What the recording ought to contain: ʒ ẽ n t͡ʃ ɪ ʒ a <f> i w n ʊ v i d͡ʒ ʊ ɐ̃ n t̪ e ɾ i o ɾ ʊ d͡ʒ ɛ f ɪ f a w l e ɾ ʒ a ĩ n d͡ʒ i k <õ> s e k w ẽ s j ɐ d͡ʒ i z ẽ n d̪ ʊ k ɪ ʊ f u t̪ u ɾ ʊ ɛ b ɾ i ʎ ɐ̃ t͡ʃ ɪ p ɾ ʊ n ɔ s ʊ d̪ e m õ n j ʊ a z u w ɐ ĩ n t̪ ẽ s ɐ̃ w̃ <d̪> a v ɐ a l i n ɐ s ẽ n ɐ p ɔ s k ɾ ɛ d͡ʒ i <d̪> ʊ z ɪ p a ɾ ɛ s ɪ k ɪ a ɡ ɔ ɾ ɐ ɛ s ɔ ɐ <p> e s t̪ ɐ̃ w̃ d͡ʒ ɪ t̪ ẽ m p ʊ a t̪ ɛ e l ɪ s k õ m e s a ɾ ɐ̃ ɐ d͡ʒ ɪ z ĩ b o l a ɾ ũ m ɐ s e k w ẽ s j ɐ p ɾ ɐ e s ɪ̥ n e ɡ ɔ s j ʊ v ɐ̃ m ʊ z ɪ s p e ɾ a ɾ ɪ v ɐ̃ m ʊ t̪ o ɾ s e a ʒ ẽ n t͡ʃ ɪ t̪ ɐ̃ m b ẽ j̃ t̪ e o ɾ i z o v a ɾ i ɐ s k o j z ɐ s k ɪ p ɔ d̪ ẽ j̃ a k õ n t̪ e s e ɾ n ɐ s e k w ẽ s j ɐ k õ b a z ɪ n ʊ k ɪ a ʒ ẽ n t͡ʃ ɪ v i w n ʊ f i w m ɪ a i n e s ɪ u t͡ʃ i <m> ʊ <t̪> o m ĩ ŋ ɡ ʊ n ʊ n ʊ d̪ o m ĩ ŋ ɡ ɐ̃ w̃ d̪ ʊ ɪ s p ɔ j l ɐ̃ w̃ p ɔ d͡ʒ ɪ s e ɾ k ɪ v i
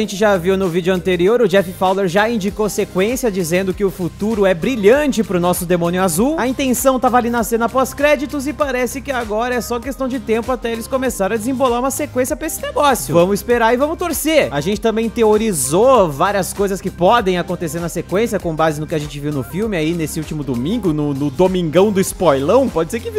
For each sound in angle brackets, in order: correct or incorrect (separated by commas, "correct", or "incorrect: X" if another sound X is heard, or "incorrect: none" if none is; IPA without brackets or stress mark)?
incorrect: v, incorrect: o, incorrect: t̪, incorrect: t̪, incorrect: k, correct, incorrect: d̪